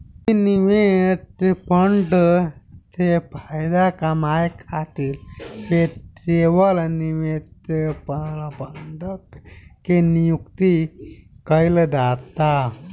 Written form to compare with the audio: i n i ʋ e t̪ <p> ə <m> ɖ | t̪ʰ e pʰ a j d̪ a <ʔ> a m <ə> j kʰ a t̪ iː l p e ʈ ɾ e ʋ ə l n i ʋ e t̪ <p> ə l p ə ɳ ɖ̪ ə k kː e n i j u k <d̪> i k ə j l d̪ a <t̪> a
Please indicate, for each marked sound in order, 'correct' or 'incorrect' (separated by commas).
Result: correct, incorrect, incorrect, incorrect, correct, incorrect, correct